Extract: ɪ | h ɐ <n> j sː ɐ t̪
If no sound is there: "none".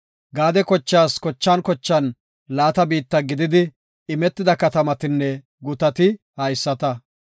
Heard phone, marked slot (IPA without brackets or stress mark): none